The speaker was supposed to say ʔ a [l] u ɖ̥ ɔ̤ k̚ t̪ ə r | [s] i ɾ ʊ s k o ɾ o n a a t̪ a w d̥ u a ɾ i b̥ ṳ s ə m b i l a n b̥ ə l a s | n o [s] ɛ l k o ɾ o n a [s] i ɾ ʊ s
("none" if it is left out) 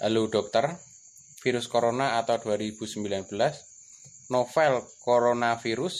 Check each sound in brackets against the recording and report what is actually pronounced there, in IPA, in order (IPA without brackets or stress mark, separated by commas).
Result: l, f, f, f